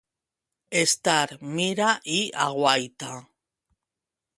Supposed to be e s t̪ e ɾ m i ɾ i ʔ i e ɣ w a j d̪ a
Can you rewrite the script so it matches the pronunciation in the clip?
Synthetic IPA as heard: e s t̪ a ɾ m i ɾ a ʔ i a ɣ w a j t̪ a